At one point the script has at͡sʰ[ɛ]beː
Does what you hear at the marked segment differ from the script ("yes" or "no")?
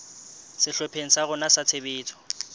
yes